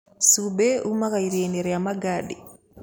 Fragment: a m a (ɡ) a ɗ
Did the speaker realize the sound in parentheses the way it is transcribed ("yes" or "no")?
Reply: yes